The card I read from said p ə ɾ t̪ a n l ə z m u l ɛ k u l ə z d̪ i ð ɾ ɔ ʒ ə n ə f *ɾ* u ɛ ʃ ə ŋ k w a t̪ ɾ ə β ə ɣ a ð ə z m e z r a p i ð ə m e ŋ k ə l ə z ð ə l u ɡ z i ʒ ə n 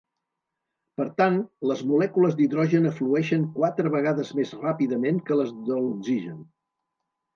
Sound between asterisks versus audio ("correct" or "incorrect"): incorrect